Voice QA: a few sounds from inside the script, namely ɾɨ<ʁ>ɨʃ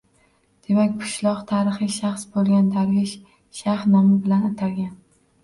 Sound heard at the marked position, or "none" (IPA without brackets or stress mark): χ